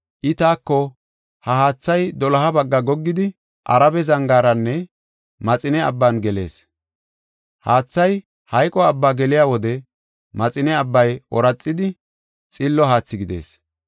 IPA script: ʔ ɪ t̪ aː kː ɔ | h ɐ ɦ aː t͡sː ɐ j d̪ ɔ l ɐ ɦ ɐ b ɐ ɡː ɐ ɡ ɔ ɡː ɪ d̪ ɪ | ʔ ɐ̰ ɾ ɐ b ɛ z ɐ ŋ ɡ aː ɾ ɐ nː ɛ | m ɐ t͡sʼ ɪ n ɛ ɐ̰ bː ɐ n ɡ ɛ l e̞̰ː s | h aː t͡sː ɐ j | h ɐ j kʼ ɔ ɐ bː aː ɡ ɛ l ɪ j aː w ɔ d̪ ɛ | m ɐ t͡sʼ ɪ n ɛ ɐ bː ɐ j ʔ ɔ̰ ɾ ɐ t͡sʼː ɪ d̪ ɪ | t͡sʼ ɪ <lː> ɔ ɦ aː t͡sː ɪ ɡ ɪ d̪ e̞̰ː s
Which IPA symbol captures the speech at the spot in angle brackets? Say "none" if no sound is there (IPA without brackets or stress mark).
lː